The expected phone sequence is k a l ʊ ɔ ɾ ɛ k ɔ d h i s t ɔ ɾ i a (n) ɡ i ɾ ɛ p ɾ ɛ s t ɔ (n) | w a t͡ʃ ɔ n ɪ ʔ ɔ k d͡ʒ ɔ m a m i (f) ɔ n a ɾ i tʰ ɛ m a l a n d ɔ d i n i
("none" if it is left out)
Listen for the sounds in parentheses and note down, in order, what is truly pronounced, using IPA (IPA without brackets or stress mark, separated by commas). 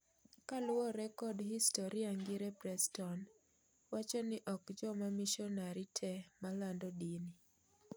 ŋ, n, ʃ